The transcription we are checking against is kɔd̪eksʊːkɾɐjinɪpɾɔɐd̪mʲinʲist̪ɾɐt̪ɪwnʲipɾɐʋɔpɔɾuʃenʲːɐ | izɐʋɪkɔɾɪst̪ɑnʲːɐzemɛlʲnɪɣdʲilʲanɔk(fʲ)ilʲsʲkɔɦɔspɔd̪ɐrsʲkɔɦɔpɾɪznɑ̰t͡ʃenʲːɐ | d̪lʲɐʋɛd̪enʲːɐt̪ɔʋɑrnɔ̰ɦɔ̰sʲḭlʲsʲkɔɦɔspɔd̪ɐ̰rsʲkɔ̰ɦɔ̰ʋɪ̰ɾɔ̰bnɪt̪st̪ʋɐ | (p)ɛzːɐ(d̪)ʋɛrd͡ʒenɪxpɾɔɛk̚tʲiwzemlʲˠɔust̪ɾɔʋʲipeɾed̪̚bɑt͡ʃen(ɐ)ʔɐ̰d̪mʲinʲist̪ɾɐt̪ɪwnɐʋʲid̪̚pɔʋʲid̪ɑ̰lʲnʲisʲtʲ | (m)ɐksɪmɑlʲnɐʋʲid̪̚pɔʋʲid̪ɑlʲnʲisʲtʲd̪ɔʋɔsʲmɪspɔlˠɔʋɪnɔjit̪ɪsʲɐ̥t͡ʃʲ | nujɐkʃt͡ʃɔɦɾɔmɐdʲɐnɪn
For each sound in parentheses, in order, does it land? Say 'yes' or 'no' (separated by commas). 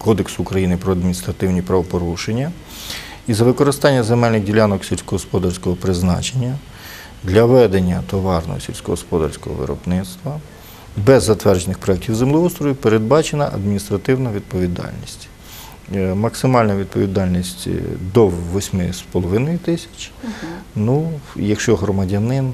no, no, no, yes, yes